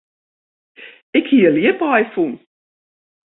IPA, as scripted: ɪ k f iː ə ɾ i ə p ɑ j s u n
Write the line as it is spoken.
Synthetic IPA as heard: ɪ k h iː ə l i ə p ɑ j f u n